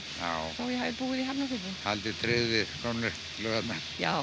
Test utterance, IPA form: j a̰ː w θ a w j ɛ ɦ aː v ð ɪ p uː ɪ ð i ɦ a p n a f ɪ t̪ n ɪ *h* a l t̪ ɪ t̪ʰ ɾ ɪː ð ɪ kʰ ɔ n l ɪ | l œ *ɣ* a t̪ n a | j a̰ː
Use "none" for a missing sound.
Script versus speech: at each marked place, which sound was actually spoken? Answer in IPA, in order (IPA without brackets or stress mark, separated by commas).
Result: h, ɣ